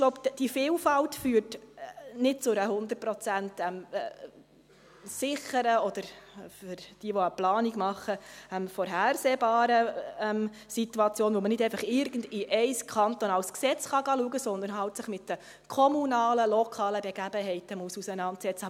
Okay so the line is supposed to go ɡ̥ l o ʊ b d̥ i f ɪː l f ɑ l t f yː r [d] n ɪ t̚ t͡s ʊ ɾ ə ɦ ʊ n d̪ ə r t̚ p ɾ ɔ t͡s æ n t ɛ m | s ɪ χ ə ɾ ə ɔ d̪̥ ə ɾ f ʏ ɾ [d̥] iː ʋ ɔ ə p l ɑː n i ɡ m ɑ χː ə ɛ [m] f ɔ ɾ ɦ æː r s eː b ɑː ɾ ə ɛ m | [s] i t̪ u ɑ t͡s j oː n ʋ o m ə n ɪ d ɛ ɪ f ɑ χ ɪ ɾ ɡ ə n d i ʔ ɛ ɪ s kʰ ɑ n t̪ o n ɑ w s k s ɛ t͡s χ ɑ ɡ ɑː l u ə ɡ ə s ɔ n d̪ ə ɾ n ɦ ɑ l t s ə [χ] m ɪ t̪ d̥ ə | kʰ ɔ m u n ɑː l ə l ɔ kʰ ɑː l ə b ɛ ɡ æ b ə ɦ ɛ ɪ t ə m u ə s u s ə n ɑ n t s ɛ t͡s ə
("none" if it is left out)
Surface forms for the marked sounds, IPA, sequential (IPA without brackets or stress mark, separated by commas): t, d̥, m, s, χ